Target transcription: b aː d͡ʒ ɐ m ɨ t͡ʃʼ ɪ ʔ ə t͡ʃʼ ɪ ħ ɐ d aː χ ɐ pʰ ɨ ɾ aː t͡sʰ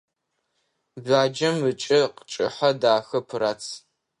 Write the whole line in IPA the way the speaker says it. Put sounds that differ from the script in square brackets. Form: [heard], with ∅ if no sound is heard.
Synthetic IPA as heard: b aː d͡ʒ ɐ m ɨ t͡ʃʼ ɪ [q] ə t͡ʃʼ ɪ ħ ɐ d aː [x] ɐ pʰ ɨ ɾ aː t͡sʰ